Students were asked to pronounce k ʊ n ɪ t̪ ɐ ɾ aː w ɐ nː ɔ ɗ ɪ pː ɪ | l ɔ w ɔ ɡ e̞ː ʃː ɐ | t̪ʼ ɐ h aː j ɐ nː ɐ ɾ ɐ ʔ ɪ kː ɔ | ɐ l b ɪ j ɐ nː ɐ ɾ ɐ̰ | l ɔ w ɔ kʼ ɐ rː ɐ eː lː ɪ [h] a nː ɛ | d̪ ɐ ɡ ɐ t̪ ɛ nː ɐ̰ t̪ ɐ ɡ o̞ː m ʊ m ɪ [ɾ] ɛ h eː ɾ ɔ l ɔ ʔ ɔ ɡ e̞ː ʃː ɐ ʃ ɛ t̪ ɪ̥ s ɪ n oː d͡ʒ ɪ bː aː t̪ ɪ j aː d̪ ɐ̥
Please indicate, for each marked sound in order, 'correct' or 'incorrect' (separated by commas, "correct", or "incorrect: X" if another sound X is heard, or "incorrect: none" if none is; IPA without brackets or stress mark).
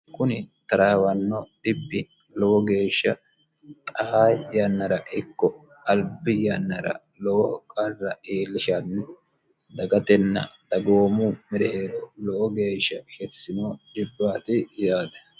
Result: incorrect: ʃ, correct